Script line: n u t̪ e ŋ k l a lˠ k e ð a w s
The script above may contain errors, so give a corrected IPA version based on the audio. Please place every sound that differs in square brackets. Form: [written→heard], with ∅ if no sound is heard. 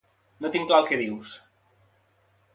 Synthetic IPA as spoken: n [u→o] t̪ [e→i] ŋ k l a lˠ k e ð [a→i] w s